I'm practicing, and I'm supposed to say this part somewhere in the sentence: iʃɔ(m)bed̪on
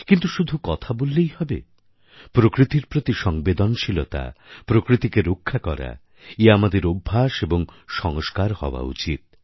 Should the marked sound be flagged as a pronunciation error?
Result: yes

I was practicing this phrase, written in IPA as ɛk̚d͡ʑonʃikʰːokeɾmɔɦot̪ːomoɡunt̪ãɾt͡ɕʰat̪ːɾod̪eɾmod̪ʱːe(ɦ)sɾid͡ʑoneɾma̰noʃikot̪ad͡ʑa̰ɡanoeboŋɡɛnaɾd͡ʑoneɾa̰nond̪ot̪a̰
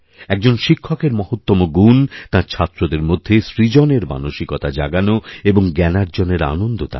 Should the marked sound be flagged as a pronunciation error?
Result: yes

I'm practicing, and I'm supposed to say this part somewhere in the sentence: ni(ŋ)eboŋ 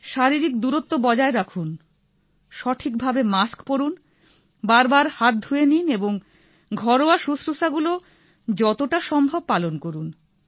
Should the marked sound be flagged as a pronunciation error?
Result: yes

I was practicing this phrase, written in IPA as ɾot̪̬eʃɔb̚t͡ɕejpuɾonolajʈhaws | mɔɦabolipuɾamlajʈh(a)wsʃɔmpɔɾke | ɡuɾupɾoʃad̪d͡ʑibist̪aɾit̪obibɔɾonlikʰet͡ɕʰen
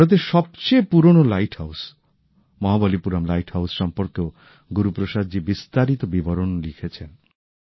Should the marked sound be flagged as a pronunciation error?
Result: no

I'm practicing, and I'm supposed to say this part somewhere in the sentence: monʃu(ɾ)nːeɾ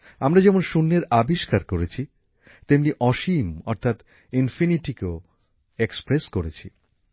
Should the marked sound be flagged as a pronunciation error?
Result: yes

